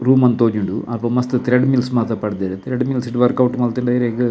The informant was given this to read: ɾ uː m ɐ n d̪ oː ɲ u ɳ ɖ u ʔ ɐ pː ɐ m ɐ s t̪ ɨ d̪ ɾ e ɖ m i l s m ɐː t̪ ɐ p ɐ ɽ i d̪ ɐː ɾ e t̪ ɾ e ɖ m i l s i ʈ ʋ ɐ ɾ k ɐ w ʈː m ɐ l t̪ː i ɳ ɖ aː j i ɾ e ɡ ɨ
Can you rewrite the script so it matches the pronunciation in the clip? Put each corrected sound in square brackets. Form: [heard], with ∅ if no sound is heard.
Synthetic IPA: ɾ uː m ɐ n [t̪] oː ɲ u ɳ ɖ u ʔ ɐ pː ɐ m ɐ s t̪ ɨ [t̪] ɾ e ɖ m i l s m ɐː t̪ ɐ p ɐ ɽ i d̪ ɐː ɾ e t̪ ɾ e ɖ m i l s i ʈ ʋ ɐ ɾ k ɐ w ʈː m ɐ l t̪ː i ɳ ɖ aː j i ɾ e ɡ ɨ